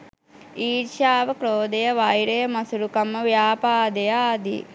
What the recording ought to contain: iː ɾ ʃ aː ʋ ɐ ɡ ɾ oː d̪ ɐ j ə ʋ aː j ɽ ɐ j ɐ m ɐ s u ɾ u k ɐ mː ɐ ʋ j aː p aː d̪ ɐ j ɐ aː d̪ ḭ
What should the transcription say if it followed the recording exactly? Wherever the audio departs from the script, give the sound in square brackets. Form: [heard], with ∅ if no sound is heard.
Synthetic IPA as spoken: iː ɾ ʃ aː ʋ ɐ [k] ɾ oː d̪ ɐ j [ɐ] ʋ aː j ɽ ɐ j ɐ m ɐ s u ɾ u k ɐ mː ɐ ʋ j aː p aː d̪ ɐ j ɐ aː d̪ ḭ